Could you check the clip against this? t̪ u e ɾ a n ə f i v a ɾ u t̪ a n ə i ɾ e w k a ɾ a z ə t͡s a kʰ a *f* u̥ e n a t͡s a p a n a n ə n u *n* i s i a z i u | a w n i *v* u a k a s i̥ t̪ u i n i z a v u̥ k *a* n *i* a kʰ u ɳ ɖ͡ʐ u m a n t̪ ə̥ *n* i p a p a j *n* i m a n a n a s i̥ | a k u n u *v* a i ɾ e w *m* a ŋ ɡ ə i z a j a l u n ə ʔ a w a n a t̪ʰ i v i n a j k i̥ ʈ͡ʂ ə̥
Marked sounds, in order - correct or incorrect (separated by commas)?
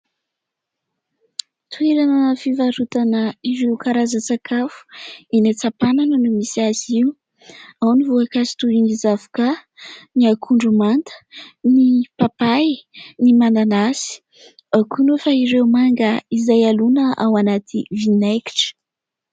correct, incorrect, correct, correct, correct, correct, correct, incorrect, correct